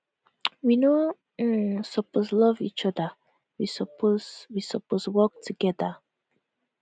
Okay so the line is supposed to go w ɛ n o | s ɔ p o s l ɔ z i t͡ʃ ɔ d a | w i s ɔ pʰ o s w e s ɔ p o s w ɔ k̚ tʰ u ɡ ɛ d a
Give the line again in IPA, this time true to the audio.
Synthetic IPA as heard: w i n o | s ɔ p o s l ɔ v i t͡ʃ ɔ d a | w i s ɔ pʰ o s w i s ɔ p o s w ɔ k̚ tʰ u ɡ ɛ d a